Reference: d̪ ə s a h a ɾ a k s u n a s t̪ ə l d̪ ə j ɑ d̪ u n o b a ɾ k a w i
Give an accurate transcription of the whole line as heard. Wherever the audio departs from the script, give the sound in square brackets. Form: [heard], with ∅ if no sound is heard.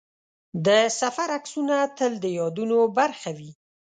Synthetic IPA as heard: d̪ ə s a [f] a ɾ a k s u n a [∅] t̪ ə l d̪ ə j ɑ d̪ u n o b a ɾ [x] a w i